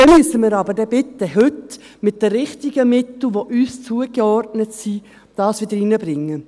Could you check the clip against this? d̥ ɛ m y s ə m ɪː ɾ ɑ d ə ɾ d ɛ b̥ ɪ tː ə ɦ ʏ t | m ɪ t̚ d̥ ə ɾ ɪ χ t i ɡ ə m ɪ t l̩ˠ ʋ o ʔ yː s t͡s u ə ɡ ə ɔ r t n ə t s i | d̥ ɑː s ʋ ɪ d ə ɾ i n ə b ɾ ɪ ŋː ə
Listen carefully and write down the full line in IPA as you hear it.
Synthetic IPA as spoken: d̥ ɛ m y s ə m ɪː ɾ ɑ b ə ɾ d ɛ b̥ ɪ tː ə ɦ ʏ t | m ɪ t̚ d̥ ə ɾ ɪ χ t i ɡ ə m ɪ t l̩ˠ ʋ o ʔ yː s t͡s u ə ɡ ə ɔ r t n ə t s i | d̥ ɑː s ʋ ɪ d ə ɾ i n ə b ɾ ɪ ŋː ə